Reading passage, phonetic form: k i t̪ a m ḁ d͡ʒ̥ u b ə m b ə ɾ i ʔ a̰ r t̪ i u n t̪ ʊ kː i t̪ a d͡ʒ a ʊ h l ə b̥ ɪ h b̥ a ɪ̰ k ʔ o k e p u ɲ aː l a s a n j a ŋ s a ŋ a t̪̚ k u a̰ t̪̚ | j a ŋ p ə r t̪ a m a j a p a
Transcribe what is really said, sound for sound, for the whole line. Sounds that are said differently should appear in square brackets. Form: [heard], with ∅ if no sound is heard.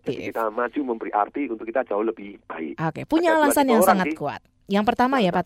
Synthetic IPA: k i t̪ a m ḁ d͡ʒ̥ u [m] ə m b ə ɾ i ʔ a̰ r t̪ i u n t̪ ʊ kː i t̪ a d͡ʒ a ʊ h l ə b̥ ɪ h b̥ a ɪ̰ k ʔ o k e p u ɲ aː l a s a n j a ŋ s a ŋ a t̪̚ k u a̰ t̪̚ | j a ŋ p ə r t̪ a m a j a p a